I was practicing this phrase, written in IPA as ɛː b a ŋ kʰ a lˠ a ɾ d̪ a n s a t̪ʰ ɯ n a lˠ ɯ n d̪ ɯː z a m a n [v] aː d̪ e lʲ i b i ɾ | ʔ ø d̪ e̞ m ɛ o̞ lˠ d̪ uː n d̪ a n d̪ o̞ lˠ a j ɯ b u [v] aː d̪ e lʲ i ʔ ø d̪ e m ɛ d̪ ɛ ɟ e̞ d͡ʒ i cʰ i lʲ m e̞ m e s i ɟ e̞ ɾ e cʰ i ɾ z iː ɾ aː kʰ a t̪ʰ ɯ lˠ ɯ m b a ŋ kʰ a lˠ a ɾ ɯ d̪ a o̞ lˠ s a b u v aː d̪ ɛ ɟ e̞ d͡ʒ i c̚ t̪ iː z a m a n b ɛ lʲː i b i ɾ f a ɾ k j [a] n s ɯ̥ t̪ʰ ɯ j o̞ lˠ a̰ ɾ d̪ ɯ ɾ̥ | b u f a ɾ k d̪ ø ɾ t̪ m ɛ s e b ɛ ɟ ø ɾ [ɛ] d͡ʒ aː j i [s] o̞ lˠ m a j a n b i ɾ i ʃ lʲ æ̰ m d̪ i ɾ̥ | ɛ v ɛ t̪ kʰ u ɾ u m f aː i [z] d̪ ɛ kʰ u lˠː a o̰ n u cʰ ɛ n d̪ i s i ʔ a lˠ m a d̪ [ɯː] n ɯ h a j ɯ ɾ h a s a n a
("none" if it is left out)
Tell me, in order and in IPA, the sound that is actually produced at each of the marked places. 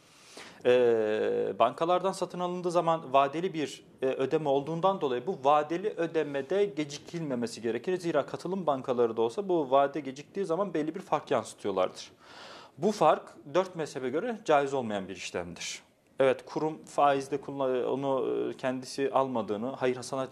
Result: v, v, a, ɛ, z, z, ɯː

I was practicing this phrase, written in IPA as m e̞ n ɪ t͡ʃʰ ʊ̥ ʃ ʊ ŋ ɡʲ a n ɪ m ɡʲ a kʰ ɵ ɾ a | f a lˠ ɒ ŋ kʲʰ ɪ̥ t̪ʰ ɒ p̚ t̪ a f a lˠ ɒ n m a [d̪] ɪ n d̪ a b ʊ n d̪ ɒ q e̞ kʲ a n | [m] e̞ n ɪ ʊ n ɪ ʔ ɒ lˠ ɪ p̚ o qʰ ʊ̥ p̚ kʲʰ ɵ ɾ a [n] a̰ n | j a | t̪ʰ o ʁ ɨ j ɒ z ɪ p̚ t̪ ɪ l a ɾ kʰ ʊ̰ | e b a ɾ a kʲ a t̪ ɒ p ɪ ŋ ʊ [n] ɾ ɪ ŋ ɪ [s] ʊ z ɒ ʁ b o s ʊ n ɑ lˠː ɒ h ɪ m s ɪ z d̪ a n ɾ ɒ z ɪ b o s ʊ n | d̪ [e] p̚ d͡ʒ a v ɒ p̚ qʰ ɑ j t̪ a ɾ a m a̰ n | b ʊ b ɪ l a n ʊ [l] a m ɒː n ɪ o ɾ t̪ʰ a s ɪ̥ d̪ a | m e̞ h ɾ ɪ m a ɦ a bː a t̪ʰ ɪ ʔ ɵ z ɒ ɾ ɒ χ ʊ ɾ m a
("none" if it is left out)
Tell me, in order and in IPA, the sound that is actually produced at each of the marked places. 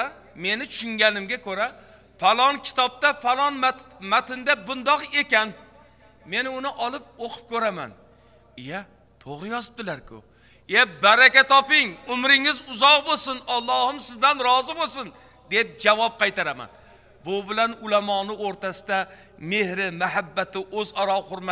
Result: t̪, m, m, m, z, e, l

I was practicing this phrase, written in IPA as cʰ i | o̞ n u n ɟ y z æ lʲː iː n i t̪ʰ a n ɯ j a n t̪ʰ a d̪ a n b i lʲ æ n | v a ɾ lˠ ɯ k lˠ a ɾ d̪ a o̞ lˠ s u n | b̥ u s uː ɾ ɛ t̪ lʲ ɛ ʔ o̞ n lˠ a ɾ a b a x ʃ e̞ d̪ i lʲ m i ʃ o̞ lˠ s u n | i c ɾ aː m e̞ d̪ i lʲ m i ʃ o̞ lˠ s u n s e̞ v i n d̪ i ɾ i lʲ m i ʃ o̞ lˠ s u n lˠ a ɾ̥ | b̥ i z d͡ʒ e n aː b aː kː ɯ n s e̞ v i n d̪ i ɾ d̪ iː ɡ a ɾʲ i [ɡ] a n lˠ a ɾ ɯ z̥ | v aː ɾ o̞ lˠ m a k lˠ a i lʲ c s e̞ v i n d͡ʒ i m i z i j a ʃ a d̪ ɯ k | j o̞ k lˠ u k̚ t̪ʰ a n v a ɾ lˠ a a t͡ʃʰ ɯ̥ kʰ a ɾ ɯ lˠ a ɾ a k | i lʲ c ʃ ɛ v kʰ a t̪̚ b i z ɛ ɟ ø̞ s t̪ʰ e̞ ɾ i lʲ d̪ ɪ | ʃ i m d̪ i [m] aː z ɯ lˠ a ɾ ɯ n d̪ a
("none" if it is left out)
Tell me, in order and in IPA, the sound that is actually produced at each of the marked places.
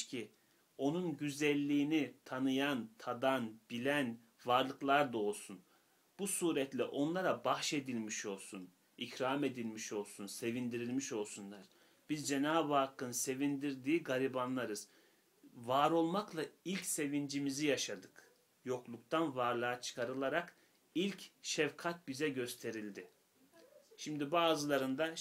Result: b, b

